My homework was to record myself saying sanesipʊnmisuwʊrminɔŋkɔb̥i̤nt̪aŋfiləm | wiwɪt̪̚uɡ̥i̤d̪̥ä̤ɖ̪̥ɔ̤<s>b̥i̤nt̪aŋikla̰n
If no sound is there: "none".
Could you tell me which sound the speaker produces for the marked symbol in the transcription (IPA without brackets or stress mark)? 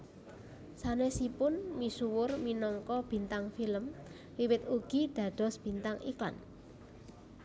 s